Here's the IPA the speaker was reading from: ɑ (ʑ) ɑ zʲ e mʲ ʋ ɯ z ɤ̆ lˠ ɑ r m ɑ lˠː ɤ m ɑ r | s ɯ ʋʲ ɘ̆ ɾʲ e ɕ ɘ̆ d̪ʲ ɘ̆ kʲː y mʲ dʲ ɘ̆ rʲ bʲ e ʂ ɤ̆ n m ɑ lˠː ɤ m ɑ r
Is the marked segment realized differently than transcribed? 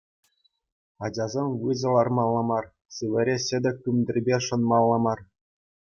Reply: yes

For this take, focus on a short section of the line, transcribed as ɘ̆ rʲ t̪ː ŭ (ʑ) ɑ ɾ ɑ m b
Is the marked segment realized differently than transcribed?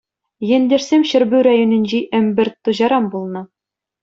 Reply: no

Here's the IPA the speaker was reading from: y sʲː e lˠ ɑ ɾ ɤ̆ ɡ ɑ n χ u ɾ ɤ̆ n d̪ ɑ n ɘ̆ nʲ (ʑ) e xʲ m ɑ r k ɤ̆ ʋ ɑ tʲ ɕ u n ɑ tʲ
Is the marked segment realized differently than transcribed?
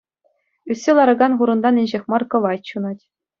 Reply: no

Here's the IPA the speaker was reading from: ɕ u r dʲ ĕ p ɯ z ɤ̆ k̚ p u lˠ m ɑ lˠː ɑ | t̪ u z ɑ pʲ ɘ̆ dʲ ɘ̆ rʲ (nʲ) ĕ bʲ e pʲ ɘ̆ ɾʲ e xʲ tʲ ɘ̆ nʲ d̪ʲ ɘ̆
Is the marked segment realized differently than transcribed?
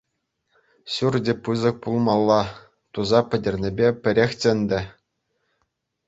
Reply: no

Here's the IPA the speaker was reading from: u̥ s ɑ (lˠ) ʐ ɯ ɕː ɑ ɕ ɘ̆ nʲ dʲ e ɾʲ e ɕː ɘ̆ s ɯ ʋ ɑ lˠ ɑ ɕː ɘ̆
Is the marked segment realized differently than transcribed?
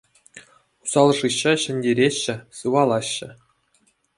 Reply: no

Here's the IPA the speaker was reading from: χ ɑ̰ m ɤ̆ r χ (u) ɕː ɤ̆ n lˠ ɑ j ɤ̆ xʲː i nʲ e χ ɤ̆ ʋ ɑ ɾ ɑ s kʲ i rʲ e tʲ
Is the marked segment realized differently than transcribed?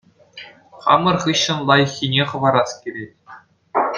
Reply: yes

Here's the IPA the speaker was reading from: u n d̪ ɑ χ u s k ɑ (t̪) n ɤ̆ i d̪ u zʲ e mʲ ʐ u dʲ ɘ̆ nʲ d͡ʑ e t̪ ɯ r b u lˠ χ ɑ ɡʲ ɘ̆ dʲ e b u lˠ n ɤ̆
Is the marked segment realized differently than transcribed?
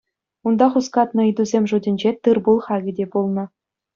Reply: no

